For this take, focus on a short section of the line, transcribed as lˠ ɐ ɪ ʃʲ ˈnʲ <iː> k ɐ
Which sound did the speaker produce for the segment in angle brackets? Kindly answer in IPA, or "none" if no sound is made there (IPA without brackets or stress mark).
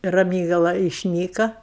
iː